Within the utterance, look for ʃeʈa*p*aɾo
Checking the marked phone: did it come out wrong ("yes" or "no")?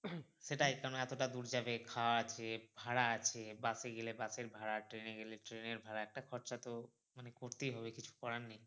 yes